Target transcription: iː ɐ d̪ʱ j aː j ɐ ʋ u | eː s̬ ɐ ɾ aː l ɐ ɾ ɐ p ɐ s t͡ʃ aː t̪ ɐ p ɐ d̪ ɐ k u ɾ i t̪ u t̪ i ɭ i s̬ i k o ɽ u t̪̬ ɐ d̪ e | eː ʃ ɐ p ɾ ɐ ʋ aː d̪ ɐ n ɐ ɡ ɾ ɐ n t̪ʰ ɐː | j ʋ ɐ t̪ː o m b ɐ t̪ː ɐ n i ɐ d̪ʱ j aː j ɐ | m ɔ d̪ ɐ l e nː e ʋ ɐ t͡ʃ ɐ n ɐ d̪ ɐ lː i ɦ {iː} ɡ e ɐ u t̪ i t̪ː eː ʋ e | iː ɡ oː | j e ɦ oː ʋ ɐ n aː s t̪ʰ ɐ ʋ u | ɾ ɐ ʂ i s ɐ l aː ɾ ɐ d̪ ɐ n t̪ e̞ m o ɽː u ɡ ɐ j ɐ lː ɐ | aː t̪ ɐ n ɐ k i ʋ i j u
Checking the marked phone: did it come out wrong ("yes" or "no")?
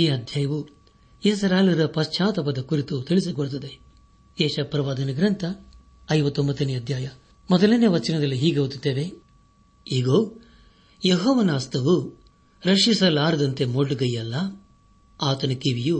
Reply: no